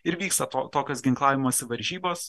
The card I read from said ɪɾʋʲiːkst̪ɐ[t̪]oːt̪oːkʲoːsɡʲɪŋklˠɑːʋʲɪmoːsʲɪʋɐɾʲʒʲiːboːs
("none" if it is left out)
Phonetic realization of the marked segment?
t̪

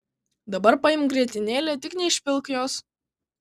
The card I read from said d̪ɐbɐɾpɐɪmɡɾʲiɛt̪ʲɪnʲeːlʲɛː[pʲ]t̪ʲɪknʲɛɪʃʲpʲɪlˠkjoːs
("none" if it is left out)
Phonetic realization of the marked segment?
none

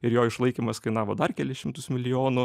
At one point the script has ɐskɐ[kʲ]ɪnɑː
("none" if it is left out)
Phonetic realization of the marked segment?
none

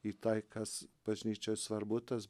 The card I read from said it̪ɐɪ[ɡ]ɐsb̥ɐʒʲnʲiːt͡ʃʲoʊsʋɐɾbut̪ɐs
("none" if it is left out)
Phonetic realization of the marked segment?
k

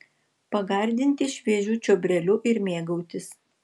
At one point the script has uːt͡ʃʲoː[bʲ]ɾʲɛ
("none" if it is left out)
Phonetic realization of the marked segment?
bʲ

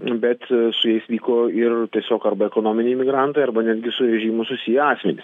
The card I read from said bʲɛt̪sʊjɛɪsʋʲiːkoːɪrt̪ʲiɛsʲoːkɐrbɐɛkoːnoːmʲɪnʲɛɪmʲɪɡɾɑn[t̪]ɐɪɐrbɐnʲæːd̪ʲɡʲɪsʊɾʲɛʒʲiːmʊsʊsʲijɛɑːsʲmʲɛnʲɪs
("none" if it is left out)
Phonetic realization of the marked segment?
t̪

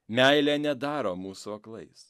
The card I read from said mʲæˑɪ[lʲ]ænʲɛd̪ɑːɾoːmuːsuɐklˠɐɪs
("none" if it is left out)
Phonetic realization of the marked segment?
lʲ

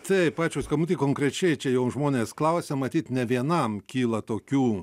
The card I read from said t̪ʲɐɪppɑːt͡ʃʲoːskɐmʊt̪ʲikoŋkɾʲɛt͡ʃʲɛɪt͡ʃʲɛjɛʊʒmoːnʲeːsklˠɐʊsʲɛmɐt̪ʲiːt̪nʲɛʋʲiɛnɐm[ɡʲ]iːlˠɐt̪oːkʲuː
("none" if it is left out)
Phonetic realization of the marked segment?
kʲ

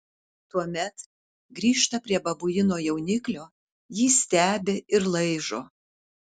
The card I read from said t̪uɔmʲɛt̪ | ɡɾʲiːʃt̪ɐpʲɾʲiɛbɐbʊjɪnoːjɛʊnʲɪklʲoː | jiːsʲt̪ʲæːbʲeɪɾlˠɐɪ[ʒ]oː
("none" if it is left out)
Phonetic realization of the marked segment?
ʒ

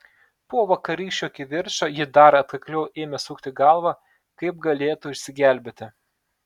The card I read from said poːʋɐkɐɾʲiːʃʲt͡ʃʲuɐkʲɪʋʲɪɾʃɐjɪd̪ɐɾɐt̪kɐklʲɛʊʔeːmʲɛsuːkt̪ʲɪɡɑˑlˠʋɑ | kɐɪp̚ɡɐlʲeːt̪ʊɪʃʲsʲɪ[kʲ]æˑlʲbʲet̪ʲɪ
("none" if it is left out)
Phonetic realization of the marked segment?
ɡʲ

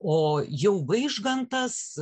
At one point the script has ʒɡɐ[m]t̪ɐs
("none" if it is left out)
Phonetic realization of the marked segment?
n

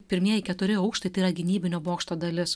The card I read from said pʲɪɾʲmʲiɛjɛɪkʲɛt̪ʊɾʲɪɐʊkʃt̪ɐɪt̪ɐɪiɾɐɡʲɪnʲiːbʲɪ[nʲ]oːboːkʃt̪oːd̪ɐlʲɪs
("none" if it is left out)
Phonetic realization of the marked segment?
nʲ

